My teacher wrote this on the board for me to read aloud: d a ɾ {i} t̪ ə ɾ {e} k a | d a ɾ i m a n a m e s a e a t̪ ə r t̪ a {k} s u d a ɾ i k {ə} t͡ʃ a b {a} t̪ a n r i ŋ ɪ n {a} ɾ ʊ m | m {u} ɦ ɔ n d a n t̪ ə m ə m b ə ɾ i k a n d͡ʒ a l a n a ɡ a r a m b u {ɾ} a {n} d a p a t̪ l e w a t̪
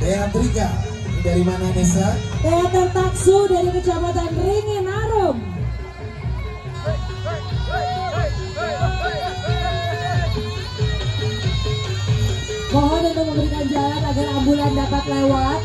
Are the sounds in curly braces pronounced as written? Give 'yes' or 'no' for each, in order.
no, no, yes, yes, yes, yes, no, no, yes

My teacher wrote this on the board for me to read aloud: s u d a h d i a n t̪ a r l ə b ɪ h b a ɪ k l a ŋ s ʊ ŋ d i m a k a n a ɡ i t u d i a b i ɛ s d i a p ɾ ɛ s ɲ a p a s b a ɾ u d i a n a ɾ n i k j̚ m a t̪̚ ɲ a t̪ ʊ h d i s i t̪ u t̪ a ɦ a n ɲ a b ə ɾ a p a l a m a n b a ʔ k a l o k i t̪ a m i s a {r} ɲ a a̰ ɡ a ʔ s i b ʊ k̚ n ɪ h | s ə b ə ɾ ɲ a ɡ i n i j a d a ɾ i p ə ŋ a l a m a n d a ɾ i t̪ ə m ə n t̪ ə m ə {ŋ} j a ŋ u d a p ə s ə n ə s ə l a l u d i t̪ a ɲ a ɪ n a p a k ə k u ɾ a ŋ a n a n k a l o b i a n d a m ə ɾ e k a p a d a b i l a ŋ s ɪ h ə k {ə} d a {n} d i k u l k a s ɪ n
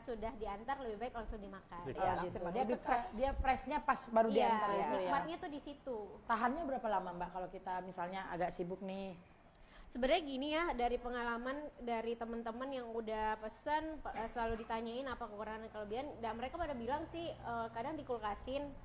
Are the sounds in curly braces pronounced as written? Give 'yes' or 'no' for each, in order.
no, no, no, no

